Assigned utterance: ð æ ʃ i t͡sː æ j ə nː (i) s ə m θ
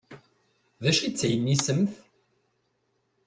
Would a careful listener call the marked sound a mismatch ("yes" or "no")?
no